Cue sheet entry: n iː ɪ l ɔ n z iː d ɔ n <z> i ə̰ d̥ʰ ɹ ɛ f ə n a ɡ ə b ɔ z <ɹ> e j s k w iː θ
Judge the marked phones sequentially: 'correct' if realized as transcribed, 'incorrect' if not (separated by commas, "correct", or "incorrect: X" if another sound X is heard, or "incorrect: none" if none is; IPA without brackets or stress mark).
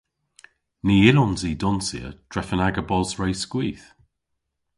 incorrect: s, correct